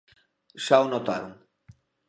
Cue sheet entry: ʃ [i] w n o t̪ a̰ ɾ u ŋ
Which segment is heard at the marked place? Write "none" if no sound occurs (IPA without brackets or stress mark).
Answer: a